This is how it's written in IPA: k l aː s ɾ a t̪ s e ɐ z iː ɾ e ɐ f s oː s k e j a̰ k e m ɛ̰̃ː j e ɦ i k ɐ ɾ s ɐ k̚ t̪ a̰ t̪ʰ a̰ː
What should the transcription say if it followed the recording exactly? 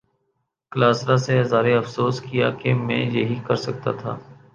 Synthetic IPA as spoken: k l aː s ɾ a s e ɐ z aː ɾ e ɐ f s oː s k i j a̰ k e m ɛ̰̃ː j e ɦ i k ɐ ɾ s ɐ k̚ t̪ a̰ t̪ʰ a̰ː